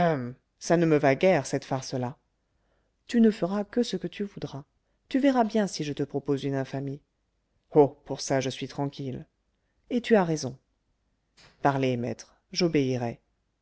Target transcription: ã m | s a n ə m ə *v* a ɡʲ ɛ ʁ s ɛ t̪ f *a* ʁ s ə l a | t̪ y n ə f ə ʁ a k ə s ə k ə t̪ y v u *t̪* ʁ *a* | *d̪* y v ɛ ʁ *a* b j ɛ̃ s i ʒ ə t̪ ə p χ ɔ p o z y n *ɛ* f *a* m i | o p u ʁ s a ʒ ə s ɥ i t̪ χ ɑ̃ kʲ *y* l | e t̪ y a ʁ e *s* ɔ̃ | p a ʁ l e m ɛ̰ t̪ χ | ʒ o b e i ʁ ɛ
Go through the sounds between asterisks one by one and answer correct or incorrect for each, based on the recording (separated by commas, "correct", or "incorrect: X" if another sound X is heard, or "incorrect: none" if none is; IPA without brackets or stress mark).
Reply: correct, correct, incorrect: d̪, correct, incorrect: t̪, correct, incorrect: ɛ̃, correct, incorrect: i, incorrect: z